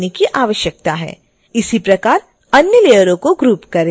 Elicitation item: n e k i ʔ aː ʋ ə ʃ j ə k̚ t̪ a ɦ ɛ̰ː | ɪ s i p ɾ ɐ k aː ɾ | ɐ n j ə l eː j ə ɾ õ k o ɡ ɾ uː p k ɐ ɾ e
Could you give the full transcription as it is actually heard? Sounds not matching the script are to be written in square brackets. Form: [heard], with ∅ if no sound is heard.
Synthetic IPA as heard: n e k i ʔ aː ʋ ə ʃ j ə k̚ t̪ a ɦ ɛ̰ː | ɪ s i p ɾ ɐ k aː ɾ | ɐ n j ə l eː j ə ɾ õ k o ɡ ɾ uː p k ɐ ɾ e